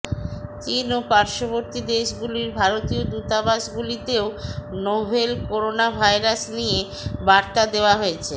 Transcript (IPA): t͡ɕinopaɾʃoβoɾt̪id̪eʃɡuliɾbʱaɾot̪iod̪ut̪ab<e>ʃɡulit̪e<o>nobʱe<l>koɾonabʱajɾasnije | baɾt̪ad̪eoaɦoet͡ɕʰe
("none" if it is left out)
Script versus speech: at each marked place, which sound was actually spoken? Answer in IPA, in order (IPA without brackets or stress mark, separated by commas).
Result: a, o, l